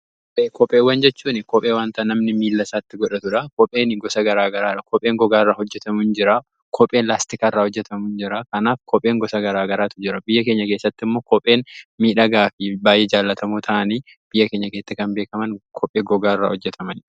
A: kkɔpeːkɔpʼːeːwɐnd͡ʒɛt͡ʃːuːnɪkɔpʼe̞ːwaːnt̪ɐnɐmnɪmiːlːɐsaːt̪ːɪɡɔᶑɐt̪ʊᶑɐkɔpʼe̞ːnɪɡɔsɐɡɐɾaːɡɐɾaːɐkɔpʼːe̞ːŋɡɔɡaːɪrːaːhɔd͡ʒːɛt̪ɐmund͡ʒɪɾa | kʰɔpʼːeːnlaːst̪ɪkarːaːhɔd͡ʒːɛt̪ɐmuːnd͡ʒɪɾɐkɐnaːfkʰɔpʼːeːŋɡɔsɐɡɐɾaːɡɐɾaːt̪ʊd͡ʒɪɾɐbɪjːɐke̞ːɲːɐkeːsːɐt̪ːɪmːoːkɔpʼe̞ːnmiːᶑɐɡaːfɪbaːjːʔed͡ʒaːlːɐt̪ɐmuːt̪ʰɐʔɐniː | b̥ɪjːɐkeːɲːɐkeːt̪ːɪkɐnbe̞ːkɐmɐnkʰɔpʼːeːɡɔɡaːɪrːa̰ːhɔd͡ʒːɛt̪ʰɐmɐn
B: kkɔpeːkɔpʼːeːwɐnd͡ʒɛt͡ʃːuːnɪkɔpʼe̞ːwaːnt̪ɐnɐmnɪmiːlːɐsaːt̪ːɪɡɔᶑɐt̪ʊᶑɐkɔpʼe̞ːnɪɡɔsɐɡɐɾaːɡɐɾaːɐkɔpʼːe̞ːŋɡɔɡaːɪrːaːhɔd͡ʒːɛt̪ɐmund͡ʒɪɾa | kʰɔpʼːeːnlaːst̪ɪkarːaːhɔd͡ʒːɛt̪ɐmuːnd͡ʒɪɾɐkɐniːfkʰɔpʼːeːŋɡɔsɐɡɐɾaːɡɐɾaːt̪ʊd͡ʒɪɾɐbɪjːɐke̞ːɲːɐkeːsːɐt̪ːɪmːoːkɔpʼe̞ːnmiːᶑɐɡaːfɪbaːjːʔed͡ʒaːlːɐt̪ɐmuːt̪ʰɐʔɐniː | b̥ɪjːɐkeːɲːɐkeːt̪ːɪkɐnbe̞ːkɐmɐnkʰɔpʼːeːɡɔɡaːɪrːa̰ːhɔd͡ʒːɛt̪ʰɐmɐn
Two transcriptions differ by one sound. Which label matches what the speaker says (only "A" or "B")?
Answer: A